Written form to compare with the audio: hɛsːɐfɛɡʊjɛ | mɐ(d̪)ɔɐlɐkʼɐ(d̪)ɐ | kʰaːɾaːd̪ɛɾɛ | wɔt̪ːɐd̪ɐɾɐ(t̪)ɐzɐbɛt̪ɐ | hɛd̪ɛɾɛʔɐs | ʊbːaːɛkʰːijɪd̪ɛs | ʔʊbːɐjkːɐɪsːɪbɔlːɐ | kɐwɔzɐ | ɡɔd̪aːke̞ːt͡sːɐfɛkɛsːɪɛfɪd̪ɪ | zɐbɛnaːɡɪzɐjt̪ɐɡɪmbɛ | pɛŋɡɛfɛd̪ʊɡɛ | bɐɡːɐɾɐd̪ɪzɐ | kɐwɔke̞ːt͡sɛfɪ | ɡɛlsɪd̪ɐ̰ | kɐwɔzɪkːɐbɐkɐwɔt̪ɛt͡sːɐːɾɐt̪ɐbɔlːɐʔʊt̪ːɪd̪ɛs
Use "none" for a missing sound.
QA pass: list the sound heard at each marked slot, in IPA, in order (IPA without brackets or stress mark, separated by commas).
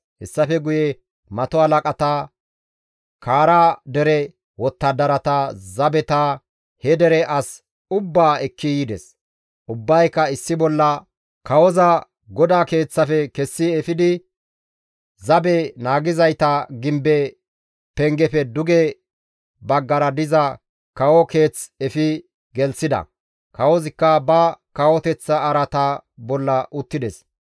t̪, t̪, t̪